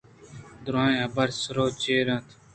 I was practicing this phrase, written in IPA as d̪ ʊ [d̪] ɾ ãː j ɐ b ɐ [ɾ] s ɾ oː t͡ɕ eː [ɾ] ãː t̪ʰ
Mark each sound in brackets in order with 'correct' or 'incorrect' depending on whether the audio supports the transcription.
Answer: incorrect, correct, correct

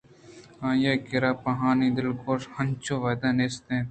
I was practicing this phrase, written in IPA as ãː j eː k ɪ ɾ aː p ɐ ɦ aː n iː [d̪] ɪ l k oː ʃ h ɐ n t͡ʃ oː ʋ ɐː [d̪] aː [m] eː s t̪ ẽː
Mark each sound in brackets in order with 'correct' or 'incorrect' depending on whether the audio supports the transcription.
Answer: correct, correct, incorrect

